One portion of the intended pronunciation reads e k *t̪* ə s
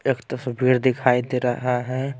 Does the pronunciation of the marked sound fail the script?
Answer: no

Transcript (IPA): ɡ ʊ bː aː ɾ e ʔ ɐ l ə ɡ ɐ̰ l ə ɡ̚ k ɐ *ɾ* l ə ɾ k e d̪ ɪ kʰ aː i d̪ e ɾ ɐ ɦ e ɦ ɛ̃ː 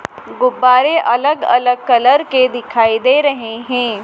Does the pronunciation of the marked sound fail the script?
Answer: yes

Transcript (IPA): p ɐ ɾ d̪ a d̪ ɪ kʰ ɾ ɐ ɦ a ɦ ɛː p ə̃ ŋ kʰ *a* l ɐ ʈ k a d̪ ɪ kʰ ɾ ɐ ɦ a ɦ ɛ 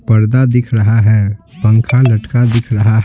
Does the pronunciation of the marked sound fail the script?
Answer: no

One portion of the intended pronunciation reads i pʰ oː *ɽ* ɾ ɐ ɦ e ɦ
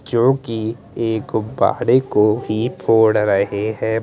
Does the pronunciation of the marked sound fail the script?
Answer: no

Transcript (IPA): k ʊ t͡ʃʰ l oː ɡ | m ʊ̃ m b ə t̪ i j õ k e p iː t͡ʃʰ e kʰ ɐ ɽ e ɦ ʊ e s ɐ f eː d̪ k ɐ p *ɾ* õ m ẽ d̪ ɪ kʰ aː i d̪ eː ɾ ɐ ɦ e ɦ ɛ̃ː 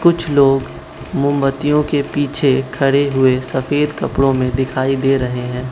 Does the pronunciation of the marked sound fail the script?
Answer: yes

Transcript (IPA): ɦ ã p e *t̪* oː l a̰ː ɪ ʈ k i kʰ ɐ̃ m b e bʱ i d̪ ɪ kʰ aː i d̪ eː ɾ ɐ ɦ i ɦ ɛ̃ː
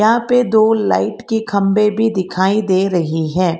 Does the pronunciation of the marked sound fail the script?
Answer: yes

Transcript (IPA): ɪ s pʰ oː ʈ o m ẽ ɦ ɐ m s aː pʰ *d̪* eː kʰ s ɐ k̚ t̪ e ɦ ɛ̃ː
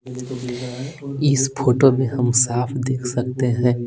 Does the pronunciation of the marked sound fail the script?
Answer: no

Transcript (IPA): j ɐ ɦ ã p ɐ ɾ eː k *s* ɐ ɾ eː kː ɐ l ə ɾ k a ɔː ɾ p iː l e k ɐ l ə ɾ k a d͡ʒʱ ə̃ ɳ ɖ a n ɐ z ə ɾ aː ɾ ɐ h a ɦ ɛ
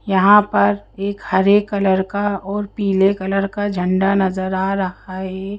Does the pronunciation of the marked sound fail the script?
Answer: yes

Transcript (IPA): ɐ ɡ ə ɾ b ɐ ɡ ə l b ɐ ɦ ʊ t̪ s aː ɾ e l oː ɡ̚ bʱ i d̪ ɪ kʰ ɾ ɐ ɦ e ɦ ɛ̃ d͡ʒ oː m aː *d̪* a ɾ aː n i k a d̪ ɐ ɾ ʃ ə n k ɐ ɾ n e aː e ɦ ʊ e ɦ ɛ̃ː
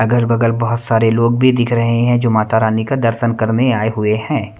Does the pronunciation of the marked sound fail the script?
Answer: yes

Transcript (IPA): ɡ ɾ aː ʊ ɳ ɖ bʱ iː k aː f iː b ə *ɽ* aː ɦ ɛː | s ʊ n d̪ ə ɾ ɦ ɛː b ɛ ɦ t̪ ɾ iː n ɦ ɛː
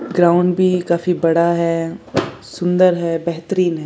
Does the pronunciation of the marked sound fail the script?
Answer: no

